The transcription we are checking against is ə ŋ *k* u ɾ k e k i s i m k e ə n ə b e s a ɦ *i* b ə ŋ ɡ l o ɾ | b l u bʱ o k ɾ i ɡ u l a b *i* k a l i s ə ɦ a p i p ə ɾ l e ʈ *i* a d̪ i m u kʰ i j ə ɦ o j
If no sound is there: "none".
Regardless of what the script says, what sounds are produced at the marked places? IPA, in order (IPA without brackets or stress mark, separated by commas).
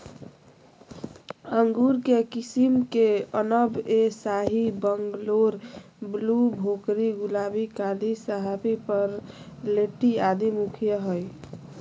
ɡ, i, i, i